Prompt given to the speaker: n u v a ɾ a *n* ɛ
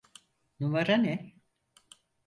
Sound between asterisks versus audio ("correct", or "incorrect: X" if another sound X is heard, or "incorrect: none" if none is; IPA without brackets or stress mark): correct